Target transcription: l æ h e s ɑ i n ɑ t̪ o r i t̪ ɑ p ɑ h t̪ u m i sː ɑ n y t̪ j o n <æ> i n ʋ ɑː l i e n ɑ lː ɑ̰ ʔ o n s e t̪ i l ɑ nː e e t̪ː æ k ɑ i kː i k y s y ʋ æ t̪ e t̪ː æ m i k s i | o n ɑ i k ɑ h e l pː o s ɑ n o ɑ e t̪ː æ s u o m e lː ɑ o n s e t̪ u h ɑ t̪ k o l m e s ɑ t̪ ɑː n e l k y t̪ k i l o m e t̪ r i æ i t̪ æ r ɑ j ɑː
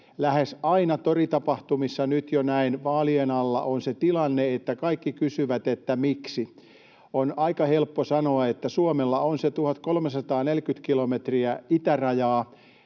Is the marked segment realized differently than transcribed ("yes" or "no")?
no